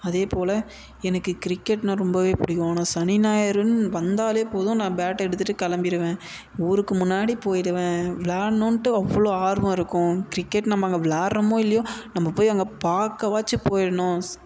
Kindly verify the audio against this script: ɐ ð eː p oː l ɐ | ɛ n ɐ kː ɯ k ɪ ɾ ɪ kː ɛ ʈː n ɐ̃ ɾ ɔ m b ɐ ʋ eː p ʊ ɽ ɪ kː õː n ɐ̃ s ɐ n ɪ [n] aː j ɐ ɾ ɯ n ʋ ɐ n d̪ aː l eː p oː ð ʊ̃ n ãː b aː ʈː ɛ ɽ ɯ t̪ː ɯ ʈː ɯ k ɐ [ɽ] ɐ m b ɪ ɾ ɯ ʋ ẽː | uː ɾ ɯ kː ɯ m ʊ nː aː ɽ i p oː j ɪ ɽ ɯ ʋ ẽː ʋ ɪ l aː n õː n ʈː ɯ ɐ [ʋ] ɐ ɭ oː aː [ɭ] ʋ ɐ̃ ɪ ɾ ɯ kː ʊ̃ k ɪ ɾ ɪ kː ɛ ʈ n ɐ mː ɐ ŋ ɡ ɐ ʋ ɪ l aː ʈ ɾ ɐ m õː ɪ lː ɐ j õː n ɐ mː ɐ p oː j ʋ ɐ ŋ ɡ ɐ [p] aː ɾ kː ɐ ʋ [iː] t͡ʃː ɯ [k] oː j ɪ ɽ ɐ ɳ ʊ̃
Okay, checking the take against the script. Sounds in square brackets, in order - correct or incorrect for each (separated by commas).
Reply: correct, incorrect, incorrect, incorrect, correct, incorrect, incorrect